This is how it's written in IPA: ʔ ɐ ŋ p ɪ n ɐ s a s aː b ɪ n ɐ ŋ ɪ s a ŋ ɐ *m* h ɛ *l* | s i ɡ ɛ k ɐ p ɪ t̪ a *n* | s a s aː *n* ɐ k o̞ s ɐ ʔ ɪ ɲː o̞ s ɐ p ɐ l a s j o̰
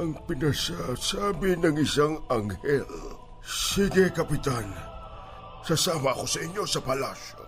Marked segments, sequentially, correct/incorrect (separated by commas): incorrect, correct, correct, incorrect